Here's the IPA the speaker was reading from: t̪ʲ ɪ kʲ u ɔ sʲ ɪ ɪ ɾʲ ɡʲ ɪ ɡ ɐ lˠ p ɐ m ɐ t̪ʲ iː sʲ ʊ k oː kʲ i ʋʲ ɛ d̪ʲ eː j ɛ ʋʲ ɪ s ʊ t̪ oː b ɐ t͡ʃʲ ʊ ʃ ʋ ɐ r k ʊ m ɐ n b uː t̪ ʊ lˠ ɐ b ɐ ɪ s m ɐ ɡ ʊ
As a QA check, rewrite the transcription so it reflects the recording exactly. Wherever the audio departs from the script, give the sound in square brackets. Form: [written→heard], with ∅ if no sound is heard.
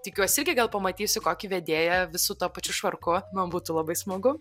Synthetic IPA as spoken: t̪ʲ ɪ kʲ u ɔ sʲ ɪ ɪ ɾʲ ɡʲ ɪ ɡ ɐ lˠ p ɐ m ɐ t̪ʲ iː sʲ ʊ k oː kʲ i ʋʲ ɛ d̪ʲ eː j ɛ ʋʲ ɪ s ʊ t̪ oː [b→p] ɐ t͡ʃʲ ʊ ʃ ʋ ɐ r k ʊ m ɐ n b uː t̪ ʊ lˠ ɐ b ɐ ɪ s m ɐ ɡ ʊ

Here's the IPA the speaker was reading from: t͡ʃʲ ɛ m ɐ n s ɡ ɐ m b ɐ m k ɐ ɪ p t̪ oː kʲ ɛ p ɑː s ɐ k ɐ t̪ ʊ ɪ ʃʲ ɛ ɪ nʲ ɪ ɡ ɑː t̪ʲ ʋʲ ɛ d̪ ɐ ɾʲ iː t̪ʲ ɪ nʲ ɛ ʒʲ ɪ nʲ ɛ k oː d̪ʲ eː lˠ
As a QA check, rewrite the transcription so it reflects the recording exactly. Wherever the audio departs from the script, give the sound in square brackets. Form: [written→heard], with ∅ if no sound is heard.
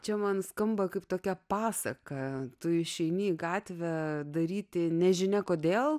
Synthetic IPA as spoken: t͡ʃʲ ɛ m ɐ n s [ɡ→k] ɐ m b ɐ [m→∅] k ɐ ɪ p t̪ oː kʲ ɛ p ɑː s ɐ k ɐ t̪ ʊ ɪ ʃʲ ɛ ɪ nʲ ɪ ɡ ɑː t̪ʲ ʋʲ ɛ d̪ ɐ ɾʲ iː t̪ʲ ɪ nʲ ɛ ʒʲ ɪ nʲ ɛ k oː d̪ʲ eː lˠ

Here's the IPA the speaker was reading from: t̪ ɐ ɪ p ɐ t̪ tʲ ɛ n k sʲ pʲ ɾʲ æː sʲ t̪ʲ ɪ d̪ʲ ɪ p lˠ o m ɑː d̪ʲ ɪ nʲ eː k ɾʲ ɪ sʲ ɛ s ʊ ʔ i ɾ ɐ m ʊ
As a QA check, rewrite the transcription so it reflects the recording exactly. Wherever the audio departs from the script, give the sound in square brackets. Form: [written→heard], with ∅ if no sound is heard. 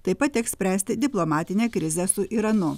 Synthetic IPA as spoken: t̪ ɐ ɪ p ɐ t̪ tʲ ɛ [n→∅] k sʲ pʲ ɾʲ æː sʲ t̪ʲ ɪ d̪ʲ ɪ p lˠ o m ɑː [d̪ʲ→t̪ʲ] ɪ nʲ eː k ɾʲ ɪ [sʲ→zʲ] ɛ s ʊ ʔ i ɾ ɐ [m→n] ʊ

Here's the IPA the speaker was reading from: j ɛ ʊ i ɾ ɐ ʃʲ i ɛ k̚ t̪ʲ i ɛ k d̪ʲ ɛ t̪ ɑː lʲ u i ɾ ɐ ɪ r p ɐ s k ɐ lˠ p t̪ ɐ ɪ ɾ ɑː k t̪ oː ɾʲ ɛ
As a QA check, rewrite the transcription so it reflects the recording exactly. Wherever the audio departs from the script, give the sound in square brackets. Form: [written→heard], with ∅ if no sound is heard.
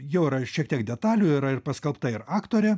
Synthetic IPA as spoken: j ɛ ʊ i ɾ ɐ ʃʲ i ɛ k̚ t̪ʲ i ɛ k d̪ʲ ɛ t̪ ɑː lʲ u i ɾ ɐ ɪ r p ɐ s k ɐ lˠ p t̪ ɐ ɪ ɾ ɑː k t̪ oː ɾʲ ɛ

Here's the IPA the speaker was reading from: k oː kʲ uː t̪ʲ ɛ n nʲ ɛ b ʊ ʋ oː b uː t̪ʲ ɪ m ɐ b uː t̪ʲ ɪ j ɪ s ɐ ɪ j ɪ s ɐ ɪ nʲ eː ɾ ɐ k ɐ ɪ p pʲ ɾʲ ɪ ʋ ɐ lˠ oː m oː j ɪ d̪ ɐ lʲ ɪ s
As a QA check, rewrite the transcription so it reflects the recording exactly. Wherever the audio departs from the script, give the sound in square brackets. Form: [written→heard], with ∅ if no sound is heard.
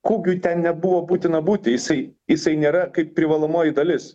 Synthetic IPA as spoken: k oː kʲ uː t̪ʲ ɛ n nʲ ɛ b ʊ ʋ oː b uː t̪ʲ ɪ [m→n] ɐ b uː t̪ʲ ɪ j ɪ s ɐ ɪ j ɪ s ɐ ɪ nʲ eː ɾ ɐ k ɐ ɪ p pʲ ɾʲ ɪ ʋ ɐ lˠ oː m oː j ɪ d̪ ɐ lʲ ɪ s

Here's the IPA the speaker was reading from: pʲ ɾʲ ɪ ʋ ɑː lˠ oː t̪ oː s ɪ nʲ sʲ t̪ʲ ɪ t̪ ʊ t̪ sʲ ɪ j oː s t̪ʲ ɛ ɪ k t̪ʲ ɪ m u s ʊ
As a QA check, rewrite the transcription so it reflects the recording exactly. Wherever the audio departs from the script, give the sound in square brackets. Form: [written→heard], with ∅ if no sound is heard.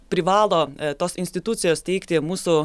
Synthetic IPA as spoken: pʲ ɾʲ ɪ ʋ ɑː lˠ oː t̪ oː s ɪ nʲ sʲ t̪ʲ ɪ t̪ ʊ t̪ sʲ ɪ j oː s t̪ʲ ɛ ɪ k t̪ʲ ɪ m [u→uː] s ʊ

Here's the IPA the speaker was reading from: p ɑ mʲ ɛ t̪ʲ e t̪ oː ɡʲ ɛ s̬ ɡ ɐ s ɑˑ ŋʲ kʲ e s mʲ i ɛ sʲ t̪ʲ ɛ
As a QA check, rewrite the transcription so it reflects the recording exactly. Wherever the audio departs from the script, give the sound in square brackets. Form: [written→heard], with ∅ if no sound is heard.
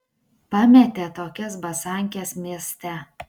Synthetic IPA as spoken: p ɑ mʲ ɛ t̪ʲ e t̪ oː [ɡʲ→kʲ] ɛ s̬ [ɡ→b] ɐ s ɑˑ ŋʲ kʲ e s mʲ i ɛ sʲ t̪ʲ ɛ

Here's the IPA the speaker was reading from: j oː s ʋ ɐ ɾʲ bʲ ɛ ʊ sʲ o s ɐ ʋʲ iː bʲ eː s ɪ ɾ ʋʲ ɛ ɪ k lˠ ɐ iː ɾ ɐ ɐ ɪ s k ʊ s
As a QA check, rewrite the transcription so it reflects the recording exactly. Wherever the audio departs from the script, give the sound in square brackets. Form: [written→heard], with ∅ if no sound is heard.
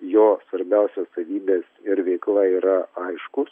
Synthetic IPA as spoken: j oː s ʋ ɐ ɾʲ bʲ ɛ ʊ sʲ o s ɐ ʋʲ iː bʲ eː s ɪ ɾ ʋʲ ɛ ɪ k lˠ ɐ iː ɾ ɐ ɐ ɪ [s→ʃ] k ʊ s

